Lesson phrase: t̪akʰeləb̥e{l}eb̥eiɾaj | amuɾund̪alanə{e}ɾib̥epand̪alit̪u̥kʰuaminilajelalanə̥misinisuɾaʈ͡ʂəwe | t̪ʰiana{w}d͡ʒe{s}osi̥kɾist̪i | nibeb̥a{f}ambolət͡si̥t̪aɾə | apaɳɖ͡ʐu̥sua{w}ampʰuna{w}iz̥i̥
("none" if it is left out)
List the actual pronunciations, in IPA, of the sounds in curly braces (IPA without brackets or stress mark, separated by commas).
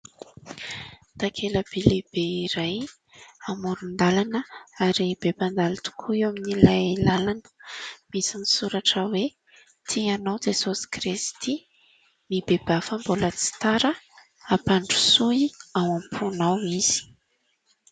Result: l, a, w, s, f, w, w